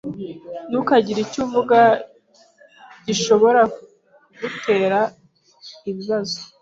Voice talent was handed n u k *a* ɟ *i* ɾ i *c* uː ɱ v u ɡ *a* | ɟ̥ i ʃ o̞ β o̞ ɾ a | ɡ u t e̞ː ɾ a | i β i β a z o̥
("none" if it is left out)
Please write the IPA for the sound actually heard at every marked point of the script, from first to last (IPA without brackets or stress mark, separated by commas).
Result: a, i, c, a